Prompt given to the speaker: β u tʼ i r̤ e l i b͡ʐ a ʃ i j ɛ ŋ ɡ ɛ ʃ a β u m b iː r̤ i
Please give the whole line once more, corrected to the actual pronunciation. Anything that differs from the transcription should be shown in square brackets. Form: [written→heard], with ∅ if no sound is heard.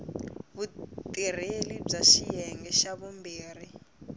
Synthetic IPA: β u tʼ i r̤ e l i b͡ʐ a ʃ i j ɛ ŋ ɡ ɛ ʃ a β u m b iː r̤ i